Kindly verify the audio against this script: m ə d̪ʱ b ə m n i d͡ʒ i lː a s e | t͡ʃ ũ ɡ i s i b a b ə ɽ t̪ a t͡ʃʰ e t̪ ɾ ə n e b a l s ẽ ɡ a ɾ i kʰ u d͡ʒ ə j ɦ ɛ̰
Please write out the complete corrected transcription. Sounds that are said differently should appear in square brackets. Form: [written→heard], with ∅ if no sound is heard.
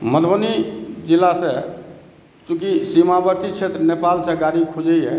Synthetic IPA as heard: m ə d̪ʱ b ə [m→∅] n i d͡ʒ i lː a s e | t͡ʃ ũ [ɡ→k] i s i [b→m] a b ə [ɽ→ɾ] t̪ [a→i] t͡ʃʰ e t̪ ɾ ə n e [b→p] a l s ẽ ɡ a ɾ i kʰ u d͡ʒ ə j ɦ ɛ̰